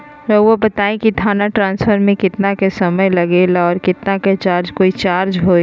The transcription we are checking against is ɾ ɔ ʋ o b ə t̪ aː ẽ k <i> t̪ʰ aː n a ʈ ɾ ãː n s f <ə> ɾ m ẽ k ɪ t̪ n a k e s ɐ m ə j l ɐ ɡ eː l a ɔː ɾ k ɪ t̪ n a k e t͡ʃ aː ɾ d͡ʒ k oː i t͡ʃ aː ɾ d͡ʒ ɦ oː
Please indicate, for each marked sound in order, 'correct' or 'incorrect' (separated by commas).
correct, correct